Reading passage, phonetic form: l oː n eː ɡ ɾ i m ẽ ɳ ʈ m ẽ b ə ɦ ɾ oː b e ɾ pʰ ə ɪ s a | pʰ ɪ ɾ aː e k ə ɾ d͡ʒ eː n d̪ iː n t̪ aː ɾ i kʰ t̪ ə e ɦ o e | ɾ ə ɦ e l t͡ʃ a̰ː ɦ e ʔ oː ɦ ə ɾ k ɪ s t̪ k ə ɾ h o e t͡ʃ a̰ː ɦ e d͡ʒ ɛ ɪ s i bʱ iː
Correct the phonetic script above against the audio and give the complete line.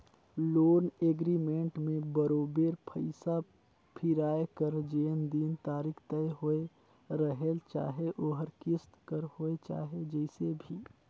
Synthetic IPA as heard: l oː n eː ɡ ɾ i m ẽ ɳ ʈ m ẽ b ə ɾ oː b e ɾ pʰ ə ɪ s a | pʰ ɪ ɾ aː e k ə ɾ d͡ʒ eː n d̪ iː n t̪ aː ɾ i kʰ t̪ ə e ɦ o e | ɾ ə ɦ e l t͡ʃ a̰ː ɦ e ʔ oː ɦ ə ɾ k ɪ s t̪ k ə ɾ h o e t͡ʃ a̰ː ɦ e d͡ʒ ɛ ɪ s e bʱ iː